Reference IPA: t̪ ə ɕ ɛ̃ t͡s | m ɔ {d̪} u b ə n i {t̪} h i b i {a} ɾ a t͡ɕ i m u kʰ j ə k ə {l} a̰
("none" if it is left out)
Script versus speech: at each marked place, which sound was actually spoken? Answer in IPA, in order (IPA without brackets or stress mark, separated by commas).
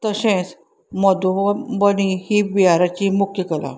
d̪, none, a, l